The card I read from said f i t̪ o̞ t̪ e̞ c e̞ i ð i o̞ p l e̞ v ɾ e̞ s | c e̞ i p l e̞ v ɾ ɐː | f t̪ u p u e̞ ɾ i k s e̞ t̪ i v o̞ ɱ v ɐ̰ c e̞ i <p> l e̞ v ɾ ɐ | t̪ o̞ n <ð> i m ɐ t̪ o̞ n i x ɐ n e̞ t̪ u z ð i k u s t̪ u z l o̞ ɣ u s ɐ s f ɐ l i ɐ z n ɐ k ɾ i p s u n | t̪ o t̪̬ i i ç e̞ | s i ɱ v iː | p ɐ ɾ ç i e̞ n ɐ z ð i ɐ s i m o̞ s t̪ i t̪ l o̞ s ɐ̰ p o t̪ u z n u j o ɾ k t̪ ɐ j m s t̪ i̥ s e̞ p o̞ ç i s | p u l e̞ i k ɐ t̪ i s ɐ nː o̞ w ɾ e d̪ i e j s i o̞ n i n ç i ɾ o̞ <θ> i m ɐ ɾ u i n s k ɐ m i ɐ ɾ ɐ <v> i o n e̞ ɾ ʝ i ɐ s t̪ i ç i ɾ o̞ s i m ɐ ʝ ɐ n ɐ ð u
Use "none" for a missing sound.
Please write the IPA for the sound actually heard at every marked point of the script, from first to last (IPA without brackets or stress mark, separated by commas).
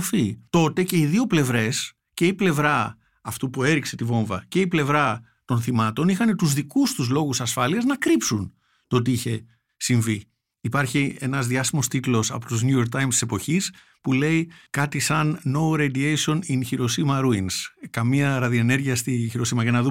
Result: p, θ, s, ð